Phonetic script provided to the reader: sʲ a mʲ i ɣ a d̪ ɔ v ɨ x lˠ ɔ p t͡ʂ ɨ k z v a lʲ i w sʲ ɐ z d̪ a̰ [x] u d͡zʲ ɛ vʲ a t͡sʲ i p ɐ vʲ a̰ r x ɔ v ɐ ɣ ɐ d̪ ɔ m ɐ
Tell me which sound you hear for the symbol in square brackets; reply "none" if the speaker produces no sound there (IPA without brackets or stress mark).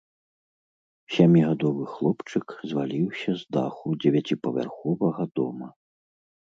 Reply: x